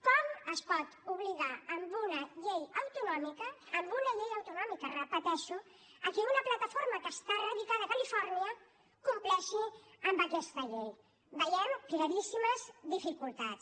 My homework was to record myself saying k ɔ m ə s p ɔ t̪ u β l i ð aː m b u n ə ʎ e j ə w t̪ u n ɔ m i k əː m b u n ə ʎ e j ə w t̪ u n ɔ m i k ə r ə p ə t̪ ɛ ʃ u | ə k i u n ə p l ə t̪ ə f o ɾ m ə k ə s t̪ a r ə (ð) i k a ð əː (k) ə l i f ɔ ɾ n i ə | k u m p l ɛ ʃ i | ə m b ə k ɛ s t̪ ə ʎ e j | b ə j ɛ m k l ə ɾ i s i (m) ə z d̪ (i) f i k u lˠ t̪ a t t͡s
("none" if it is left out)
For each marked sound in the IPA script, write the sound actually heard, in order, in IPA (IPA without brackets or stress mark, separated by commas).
ð, k, m, i